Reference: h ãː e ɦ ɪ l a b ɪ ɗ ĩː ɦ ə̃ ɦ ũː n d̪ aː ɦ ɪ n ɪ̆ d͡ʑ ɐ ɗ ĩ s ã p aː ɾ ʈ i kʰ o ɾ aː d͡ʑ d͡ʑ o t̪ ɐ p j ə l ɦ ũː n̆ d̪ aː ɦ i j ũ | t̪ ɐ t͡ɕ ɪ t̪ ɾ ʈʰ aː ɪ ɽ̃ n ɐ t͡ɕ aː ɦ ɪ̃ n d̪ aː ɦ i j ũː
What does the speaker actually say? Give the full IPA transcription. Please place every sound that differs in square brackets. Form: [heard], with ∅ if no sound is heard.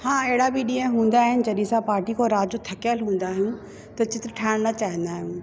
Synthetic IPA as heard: h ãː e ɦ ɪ [ɽ] a b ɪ ɗ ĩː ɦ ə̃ ɦ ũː n d̪ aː ɦ ɪ n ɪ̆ d͡ʑ ɐ ɗ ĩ s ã p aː ɾ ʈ i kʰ o ɾ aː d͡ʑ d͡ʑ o [t̪ʰ] ɐ [k] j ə l ɦ ũː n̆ d̪ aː ɦ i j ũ | t̪ ɐ t͡ɕ ɪ t̪ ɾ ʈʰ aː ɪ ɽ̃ n ɐ t͡ɕ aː ɦ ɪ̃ n d̪ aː ɦ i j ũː